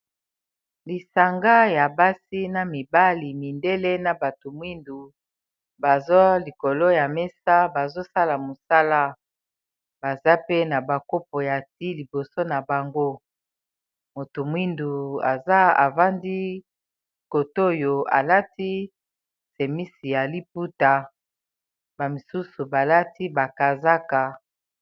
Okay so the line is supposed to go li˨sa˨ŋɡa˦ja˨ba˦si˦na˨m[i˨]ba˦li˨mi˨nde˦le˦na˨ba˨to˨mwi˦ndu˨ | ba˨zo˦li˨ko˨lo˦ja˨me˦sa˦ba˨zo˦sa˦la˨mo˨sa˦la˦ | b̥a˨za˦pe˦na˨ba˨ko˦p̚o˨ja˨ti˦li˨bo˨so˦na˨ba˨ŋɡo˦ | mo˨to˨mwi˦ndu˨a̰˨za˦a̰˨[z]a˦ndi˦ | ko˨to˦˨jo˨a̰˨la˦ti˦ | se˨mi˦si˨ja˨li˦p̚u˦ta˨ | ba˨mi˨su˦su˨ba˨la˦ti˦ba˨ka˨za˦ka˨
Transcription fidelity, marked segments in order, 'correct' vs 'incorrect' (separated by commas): correct, incorrect